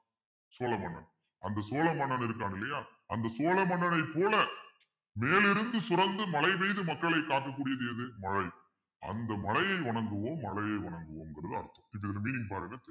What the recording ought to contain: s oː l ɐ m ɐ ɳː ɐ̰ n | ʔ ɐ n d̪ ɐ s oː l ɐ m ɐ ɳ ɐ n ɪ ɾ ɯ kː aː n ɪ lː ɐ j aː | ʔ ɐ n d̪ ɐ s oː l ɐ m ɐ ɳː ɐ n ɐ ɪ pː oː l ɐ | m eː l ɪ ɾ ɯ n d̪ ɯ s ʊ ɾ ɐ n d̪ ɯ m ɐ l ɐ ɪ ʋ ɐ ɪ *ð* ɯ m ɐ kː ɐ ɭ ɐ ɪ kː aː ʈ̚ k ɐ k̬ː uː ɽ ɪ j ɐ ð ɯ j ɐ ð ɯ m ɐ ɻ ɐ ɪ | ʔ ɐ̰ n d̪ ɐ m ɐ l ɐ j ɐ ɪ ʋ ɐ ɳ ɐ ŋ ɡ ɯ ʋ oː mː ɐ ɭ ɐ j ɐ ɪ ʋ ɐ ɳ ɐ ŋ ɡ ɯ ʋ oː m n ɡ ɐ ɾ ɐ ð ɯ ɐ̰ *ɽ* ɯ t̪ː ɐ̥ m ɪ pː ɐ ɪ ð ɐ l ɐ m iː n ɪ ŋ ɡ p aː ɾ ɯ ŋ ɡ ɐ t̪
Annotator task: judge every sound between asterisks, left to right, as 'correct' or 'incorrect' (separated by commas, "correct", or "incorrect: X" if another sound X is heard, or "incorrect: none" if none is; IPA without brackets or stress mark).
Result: correct, incorrect: ɾ